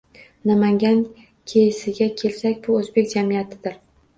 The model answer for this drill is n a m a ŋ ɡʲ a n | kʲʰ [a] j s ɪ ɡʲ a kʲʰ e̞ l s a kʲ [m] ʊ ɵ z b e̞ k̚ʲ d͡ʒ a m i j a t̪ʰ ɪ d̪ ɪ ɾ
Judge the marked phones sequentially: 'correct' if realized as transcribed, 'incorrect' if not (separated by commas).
incorrect, incorrect